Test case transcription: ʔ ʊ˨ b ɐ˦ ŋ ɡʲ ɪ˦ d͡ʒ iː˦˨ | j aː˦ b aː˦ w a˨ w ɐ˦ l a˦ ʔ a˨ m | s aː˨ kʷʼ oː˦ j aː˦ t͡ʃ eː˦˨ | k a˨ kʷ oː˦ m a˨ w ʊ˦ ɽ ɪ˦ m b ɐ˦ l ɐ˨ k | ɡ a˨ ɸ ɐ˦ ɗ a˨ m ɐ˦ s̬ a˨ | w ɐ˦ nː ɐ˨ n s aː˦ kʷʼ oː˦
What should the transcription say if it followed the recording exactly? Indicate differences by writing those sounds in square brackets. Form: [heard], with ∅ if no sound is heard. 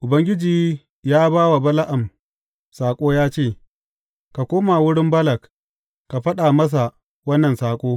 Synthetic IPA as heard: ʔ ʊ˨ b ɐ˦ ŋ ɡʲ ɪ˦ d͡ʒ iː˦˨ | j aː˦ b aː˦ w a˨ [b] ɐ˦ l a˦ ʔ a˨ m | s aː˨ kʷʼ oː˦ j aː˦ t͡ʃ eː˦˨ | k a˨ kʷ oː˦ m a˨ w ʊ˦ ɽ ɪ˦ m b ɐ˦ l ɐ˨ k | [k] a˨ ɸ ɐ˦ ɗ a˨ m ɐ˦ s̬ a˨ | w ɐ˦ nː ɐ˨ n s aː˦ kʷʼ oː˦